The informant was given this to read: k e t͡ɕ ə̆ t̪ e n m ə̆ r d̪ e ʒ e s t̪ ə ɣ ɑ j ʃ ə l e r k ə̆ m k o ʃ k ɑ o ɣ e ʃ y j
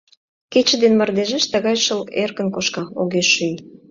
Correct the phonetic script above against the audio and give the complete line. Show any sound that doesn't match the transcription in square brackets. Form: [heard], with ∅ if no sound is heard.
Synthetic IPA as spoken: k e t͡ɕ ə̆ [d̪] e n m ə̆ r d̪ e ʒ e [ʃ] t̪ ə ɣ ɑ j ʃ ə l e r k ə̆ [n] k o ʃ k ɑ o ɣ e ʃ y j